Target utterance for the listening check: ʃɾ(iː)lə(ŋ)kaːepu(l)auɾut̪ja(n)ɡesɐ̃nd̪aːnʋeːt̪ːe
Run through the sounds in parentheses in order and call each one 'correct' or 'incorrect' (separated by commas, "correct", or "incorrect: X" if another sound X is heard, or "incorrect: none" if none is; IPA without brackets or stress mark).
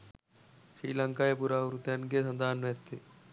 correct, correct, incorrect: ɾ, correct